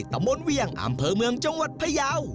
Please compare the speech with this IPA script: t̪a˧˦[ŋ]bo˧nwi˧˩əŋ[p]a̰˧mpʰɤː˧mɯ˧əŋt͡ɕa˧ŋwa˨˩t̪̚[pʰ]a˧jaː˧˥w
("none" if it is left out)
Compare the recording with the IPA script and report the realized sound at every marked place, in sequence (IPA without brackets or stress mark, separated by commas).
m, ʔ, pʰ